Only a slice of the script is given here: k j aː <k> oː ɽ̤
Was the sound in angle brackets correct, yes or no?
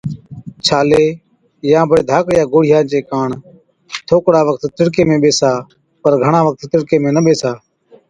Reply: no